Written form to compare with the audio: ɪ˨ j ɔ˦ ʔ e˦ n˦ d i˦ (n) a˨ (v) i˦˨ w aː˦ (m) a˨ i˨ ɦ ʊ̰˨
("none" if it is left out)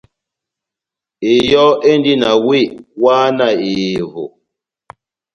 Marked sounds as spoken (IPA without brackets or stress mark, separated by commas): n, w, n